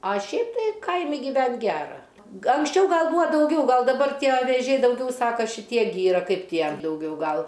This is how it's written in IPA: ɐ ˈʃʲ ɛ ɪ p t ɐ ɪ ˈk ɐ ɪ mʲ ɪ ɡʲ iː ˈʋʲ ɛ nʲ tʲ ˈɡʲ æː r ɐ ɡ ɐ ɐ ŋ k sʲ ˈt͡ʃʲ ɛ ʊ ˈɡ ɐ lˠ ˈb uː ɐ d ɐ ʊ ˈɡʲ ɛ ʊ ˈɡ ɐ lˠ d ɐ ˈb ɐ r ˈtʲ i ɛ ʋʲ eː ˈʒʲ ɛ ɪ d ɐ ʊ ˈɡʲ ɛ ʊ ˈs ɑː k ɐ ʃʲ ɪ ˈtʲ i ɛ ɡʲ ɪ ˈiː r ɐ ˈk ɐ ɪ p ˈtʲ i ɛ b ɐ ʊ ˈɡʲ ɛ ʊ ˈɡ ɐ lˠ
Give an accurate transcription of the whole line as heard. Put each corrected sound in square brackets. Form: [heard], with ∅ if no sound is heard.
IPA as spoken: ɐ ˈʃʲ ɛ ɪ p t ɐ ɪ ˈk ɐ ɪ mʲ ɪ ɡʲ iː ˈʋʲ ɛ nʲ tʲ ˈɡʲ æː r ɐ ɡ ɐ ɐ ŋ k sʲ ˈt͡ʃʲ ɛ ʊ ˈɡ ɐ lˠ ˈb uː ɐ d ɐ ʊ ˈɡʲ ɛ ʊ ˈɡ ɐ lˠ d ɐ ˈb ɐ r ˈtʲ i ɛ ʋʲ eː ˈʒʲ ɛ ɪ d ɐ ʊ ˈɡʲ ɛ ʊ ˈs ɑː k ɐ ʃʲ ɪ ˈtʲ i ɛ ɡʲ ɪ ˈiː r ɐ ˈk ɐ ɪ p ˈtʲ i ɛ [d] ɐ ʊ ˈɡʲ ɛ ʊ ˈɡ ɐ lˠ